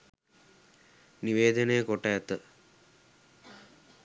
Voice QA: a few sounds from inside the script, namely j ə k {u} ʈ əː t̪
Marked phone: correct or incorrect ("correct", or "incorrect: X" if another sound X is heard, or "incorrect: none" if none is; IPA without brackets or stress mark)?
incorrect: o